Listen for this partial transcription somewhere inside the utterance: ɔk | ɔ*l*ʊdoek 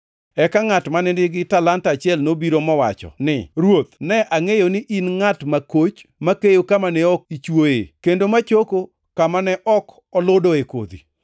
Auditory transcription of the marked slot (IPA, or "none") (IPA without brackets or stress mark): l